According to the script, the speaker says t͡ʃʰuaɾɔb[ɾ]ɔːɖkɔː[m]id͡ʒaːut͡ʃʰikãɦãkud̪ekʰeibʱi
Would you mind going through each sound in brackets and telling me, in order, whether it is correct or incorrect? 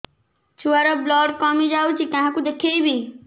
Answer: incorrect: l, correct

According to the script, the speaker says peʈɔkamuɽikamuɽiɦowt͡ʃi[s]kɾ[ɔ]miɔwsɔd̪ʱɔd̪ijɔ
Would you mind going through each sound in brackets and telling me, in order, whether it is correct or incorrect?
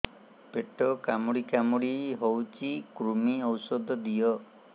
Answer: incorrect: none, incorrect: u

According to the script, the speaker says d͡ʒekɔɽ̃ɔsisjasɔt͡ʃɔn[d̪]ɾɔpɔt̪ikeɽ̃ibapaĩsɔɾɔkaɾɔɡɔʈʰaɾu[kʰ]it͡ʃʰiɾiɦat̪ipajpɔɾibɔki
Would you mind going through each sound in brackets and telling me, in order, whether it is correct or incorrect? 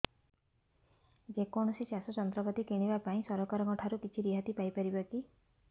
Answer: incorrect: t̪, incorrect: k

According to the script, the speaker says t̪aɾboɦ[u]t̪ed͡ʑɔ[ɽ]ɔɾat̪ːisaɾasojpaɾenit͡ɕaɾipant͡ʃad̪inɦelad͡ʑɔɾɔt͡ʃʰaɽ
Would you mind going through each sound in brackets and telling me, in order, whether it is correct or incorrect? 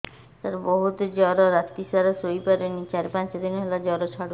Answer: correct, incorrect: ɾ

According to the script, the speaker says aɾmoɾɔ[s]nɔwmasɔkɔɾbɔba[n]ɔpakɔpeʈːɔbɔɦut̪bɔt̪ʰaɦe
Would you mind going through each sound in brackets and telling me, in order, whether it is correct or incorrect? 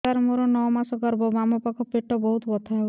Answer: incorrect: none, incorrect: m

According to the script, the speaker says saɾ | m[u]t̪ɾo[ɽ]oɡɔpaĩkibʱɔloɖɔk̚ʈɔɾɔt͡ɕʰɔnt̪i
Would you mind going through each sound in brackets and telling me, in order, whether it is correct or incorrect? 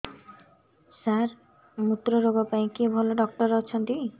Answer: correct, incorrect: ɾ

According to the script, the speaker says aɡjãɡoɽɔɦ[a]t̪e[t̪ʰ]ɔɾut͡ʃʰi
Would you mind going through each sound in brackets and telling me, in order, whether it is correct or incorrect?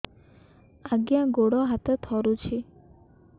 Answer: correct, correct

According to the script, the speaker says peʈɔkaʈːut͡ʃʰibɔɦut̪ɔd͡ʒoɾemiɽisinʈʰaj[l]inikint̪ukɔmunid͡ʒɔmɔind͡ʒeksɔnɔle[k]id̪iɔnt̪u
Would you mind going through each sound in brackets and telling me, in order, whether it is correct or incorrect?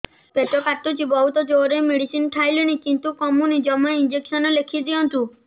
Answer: correct, incorrect: kʰ

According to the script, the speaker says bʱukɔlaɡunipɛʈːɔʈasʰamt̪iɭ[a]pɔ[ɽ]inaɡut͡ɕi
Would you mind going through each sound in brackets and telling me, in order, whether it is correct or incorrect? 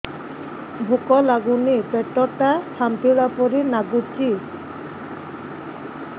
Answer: correct, incorrect: ɾ

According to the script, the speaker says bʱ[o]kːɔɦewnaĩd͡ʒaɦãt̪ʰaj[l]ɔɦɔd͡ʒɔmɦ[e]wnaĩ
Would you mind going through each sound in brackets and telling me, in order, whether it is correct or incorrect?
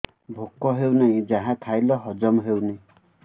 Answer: correct, correct, correct

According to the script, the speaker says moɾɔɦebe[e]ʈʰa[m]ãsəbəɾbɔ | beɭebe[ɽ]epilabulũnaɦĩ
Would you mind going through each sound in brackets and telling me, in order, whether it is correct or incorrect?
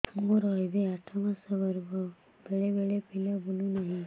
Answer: incorrect: a, correct, incorrect: ɭ

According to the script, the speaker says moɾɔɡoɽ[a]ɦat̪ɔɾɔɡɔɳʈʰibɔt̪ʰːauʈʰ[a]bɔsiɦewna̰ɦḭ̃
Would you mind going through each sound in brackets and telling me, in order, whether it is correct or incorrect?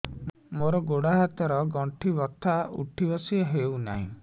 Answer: correct, incorrect: i

